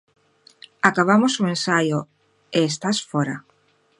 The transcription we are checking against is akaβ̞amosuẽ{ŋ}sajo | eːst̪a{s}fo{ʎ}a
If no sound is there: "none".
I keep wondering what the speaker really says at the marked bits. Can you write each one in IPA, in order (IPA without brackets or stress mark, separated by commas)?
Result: n, s, ɾ